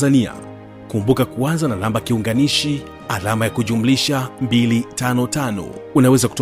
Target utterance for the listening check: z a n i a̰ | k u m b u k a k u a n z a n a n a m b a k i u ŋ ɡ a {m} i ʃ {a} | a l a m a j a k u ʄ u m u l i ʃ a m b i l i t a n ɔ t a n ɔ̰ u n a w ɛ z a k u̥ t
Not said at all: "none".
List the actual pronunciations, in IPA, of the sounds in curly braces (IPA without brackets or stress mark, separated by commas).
n, i